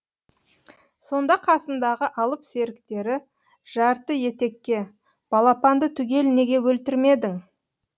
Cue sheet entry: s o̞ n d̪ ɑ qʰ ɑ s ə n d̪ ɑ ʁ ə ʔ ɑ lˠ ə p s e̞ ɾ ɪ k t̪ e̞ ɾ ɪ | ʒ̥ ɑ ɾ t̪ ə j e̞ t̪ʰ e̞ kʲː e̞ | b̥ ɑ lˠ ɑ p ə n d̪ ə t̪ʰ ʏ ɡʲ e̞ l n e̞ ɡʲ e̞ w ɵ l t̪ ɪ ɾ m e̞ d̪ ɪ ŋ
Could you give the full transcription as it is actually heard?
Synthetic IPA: s o̞ n d̪ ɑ qʰ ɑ s ə n d̪ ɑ ʁ ə ʔ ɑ lˠ ə p s e̞ ɾ ɪ k t̪ e̞ ɾ ɪ | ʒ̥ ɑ ɾ t̪ ə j e̞ t̪ e̞ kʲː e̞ | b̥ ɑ lˠ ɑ p ɑ n d̪ ə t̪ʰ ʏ ɡʲ e̞ l n e̞ ɡʲ e̞ w ɵ l t̪ ɪ ɾ m e̞ d̪ ɪ ŋ